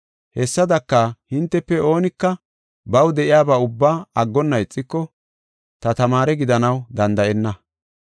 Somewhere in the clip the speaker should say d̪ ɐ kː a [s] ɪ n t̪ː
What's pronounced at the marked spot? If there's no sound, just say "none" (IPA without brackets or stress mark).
h